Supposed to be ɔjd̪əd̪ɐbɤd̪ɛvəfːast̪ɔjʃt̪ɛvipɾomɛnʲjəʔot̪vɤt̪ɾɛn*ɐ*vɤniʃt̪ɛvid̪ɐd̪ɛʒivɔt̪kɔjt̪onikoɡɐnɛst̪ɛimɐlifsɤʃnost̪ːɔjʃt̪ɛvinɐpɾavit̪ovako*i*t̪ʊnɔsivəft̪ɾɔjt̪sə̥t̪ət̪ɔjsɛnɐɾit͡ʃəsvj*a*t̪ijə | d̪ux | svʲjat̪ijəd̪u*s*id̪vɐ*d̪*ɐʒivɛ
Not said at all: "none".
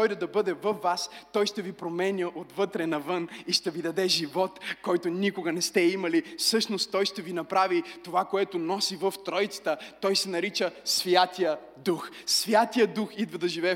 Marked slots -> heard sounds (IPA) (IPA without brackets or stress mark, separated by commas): ɐ, ɛ, a, x, d̪